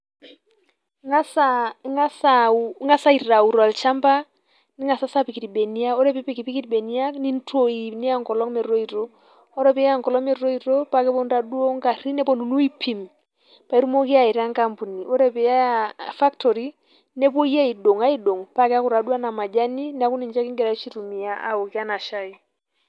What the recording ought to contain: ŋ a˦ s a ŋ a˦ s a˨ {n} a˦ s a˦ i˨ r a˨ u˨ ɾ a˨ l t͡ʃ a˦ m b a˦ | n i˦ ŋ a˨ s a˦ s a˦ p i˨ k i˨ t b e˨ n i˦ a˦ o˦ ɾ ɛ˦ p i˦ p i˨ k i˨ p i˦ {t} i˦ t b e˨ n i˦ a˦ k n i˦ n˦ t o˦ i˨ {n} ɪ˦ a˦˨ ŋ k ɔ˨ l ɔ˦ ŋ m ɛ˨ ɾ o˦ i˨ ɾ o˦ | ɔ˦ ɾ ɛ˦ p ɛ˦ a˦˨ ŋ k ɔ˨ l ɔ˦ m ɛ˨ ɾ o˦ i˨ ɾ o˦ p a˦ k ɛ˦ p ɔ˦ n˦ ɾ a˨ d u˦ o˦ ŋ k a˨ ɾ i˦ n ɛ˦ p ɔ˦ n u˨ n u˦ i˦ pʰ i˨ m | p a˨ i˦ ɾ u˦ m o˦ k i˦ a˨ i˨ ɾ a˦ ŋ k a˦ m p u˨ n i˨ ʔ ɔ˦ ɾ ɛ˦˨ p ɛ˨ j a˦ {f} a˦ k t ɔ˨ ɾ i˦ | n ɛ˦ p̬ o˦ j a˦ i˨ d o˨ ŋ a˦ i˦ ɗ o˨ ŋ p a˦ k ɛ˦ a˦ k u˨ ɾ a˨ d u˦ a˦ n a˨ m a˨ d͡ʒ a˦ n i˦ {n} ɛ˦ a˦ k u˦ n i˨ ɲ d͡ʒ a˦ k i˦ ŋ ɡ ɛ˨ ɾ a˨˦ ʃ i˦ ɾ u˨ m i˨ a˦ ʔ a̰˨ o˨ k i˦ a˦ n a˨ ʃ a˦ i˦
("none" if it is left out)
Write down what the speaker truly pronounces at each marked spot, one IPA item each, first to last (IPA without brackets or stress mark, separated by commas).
ŋ, k, n, f, n